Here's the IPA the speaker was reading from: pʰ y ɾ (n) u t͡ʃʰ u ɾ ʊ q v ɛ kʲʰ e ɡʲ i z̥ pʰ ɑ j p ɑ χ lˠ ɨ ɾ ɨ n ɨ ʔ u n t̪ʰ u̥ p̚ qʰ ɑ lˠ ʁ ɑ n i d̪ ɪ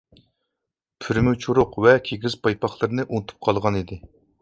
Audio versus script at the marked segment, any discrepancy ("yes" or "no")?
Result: yes